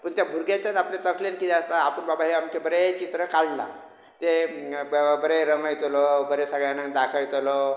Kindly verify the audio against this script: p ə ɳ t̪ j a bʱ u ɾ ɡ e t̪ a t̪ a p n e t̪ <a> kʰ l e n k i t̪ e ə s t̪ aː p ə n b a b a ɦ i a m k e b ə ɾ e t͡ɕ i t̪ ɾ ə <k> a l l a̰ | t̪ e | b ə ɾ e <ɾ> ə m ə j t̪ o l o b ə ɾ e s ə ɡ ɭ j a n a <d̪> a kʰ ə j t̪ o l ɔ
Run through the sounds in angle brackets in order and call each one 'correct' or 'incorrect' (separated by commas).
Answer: incorrect, correct, correct, correct